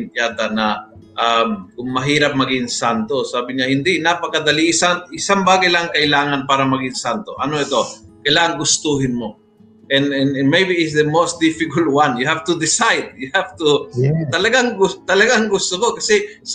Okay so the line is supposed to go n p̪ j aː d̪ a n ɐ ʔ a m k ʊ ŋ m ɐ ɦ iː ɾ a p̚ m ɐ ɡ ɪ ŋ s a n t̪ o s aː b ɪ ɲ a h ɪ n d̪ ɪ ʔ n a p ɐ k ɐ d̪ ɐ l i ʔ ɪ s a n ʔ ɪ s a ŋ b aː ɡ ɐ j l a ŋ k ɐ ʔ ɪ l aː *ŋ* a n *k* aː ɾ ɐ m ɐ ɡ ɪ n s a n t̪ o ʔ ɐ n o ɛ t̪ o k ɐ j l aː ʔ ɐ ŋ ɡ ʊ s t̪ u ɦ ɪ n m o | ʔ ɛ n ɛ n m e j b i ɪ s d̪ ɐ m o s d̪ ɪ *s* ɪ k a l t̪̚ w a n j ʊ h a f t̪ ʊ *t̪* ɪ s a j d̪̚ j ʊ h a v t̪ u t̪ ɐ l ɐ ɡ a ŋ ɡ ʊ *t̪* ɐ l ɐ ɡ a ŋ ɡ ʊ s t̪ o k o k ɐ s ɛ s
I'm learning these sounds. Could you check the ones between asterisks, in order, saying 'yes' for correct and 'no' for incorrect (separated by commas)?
yes, no, no, no, yes